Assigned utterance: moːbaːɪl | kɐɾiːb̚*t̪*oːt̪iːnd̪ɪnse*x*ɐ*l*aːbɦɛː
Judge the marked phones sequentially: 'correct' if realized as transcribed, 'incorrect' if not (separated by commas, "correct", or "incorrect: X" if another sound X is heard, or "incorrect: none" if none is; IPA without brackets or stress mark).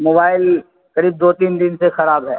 incorrect: d̪, correct, incorrect: ɾ